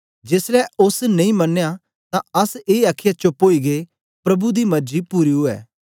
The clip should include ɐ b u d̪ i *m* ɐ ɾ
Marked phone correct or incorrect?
correct